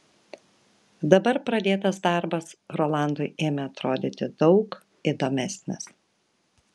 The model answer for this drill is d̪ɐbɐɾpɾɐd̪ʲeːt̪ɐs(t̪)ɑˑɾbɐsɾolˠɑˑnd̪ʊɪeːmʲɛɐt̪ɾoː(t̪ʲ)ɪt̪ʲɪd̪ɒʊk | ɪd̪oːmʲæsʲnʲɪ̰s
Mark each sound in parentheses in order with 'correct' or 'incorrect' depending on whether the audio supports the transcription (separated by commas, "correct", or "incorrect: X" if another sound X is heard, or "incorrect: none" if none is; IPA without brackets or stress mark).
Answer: incorrect: d̪, incorrect: d̪ʲ